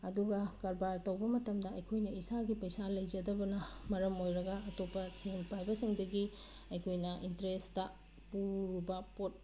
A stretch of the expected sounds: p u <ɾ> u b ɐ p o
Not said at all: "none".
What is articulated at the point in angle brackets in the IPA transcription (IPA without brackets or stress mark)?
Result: ɾ